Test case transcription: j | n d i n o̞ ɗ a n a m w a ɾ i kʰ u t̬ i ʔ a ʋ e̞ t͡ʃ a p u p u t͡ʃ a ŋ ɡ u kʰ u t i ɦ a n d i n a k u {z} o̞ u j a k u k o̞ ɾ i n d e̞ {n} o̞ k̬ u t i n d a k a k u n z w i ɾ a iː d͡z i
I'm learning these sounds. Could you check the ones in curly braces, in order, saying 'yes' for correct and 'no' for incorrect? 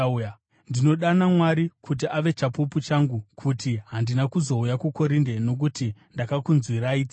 yes, yes

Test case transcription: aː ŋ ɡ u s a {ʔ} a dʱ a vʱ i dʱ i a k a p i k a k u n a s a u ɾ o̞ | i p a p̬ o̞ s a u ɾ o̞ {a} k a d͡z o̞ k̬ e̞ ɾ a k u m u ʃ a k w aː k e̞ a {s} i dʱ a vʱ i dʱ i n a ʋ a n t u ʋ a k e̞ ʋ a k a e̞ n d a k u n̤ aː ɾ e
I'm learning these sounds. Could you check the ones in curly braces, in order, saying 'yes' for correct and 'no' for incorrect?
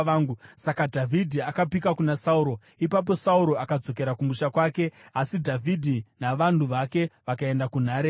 no, yes, yes

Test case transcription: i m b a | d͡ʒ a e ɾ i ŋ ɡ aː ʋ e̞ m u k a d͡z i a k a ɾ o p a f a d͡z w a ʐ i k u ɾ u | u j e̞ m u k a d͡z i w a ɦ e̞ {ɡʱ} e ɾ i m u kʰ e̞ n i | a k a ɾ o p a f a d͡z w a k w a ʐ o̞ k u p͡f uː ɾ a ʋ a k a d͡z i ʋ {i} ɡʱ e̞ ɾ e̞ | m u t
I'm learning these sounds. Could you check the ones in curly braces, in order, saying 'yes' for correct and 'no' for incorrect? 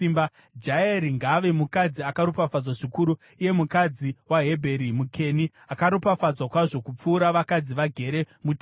no, no

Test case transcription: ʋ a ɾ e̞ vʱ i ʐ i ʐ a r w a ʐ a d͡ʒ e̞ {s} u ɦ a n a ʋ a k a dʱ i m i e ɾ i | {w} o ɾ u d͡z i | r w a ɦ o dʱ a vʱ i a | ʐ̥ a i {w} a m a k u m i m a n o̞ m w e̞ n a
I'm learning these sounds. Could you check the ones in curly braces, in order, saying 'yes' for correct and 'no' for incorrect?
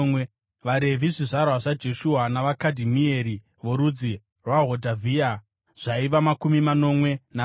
no, no, no

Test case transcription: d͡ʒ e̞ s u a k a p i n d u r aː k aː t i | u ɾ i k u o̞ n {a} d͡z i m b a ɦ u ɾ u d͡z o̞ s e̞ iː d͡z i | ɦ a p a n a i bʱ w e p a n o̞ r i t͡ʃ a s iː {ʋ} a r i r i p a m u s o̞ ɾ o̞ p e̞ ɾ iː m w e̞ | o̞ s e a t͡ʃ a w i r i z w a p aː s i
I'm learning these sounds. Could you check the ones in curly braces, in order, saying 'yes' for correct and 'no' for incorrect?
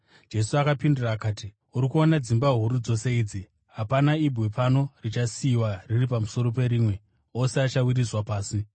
yes, no

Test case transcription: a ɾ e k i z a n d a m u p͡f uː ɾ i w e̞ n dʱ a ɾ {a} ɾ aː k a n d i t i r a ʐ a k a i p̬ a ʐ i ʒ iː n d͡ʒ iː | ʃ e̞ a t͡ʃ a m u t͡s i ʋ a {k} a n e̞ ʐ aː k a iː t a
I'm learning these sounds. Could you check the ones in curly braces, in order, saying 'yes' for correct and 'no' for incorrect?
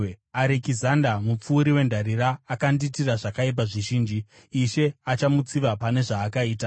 no, no

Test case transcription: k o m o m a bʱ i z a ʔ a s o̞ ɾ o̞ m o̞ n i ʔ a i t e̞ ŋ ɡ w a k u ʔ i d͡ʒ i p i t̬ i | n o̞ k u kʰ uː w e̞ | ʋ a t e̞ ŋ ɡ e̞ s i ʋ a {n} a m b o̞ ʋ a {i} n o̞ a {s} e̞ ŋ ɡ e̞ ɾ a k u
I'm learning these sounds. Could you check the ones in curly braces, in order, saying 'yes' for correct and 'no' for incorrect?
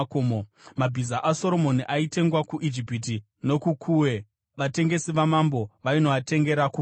no, yes, no

